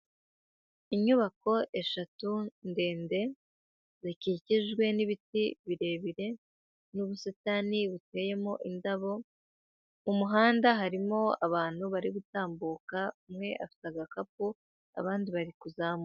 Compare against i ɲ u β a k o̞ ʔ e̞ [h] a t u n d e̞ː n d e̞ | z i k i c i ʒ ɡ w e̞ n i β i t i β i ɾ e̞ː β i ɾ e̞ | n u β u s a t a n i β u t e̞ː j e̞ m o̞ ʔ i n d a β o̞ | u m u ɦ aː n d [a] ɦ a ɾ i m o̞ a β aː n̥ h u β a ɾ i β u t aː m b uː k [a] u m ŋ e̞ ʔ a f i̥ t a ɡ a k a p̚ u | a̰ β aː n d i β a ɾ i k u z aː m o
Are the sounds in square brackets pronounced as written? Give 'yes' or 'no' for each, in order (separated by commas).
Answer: no, yes, yes